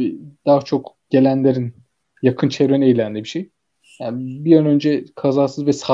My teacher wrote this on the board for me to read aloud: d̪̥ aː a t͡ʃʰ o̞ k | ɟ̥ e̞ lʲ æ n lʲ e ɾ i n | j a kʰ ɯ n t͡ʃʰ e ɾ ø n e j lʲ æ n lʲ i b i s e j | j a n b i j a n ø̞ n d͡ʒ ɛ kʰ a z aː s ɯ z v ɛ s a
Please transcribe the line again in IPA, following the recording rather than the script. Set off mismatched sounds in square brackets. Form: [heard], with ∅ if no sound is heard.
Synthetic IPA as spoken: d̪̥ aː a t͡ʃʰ o̞ k | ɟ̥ e̞ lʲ æ n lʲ e ɾ i n | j a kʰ ɯ n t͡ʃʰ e ɾ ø n e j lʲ æ n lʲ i b i [ʃ] e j | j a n b i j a n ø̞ n d͡ʒ ɛ kʰ a z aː s ɯ z v ɛ s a